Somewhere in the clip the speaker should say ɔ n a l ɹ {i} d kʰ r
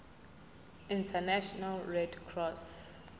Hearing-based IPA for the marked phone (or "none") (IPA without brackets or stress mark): ɛ